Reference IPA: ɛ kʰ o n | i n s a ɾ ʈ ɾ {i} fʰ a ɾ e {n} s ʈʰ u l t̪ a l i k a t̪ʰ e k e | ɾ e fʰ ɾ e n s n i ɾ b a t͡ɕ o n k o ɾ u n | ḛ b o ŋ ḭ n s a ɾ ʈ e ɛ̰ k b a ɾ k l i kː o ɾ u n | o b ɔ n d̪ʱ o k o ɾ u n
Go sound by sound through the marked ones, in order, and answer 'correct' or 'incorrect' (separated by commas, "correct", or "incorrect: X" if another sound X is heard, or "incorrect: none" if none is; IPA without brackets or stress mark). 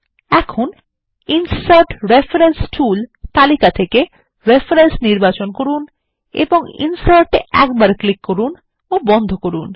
incorrect: e, correct